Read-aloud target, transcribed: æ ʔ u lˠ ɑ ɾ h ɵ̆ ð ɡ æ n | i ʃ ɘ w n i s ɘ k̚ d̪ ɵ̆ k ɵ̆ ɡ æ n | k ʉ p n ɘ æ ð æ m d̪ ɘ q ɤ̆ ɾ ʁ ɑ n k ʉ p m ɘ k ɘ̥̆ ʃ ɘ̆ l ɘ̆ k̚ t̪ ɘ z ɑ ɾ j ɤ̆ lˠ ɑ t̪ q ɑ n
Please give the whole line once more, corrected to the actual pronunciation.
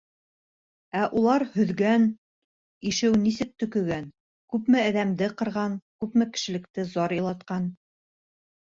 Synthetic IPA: æ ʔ u lˠ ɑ ɾ h ɵ̆ ð ɡ æ n | i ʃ ɘ w n i s ɘ k̚ t̪ ɵ̆ k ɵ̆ ɡ æ n | k ʉ p m ɘ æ ð æ m d̪ ɘ q ɤ̆ ɾ ʁ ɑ n k ʉ p m ɘ k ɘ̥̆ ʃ ɘ̆ l ɘ̆ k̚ t̪ ɘ z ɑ ɾ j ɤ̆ lˠ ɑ t̪ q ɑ n

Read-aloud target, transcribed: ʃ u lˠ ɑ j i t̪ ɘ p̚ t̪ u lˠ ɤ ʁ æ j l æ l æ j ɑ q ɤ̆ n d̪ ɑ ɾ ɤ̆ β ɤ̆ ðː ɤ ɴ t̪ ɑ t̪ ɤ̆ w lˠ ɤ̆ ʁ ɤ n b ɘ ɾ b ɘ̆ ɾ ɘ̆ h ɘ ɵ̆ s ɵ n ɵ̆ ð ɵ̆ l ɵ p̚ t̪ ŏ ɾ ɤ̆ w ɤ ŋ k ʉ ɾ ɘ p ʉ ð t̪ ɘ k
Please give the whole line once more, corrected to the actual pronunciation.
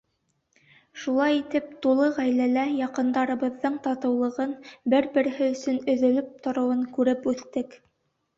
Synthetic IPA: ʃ u lˠ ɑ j i t̪ ɘ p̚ t̪ u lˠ ɤ ʁ æ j l æ l æ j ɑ q ɤ̆ n d̪ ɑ ɾ ɤ̆ β ɤ̆ ðː ɤ ɴ t̪ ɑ t̪ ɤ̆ w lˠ ɤ̆ ʁ ɤ n b ɘ ɾ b ɘ̆ ɾ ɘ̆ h ɘ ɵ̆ s ɵ n ɵ̆ ð ɵ̆ l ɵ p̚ t̪ ŏ ɾ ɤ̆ w ɤ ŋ k ʉ ɾ ɘ p ʉ θ t̪ ɘ k

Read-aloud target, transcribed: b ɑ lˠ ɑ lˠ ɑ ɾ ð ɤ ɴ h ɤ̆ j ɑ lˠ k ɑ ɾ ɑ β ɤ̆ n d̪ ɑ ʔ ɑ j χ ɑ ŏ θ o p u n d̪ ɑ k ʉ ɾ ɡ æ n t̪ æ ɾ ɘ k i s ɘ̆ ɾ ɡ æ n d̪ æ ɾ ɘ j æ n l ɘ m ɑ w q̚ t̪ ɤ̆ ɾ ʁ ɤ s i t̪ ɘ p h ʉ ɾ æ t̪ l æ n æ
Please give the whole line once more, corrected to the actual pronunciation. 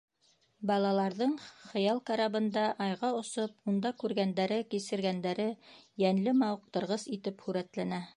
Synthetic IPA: b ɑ lˠ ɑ lˠ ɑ ɾ ð ɤ ɴ χ ɤ̆ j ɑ lˠ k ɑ ɾ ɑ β ɤ̆ n d̪ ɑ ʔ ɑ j ʁ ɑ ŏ s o p u n d̪ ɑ k ʉ ɾ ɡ æ n d̪ æ ɾ ɘ k i s ɘ̆ ɾ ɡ æ n d̪ æ ɾ ɘ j æ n l ɘ m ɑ w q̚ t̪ ɤ̆ ɾ ʁ ɤ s i t̪ ɘ p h ʉ ɾ æ t̪ l æ n æ

